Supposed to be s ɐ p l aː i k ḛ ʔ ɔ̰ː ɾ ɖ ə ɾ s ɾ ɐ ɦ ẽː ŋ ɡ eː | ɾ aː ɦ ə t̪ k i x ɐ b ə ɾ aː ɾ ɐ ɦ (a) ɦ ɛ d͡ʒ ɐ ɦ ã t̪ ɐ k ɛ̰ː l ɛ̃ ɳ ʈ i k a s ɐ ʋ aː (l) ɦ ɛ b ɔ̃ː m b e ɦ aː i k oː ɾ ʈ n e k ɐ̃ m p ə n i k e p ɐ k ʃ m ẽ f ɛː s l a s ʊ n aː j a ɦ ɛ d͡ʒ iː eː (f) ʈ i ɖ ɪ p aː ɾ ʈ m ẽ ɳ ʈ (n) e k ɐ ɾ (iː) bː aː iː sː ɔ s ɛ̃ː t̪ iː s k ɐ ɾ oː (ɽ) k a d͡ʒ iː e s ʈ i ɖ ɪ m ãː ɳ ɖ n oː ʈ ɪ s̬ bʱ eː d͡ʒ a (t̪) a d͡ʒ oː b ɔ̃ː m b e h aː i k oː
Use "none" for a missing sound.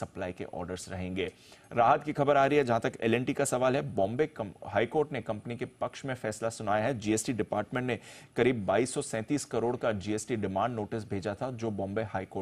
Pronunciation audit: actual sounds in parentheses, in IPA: i, l, s, n, iː, ɽ, t̪ʰ

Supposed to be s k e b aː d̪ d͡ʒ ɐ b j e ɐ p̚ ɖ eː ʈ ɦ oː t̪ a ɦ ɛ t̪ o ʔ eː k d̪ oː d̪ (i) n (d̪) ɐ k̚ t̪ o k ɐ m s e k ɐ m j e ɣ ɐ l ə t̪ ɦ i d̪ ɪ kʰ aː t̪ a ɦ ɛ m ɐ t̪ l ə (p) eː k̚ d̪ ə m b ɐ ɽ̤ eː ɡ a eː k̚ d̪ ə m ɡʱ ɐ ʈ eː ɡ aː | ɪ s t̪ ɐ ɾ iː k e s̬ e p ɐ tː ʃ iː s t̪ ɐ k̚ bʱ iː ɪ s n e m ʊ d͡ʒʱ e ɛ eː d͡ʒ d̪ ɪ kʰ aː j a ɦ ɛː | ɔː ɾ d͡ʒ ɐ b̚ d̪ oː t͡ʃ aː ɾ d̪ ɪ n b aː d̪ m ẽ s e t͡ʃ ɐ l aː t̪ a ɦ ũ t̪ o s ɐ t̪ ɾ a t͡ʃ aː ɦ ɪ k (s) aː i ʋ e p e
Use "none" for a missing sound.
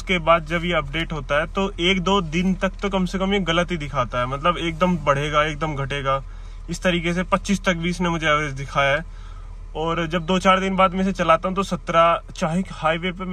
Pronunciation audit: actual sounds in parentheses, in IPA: ɪ, t̪, b, h

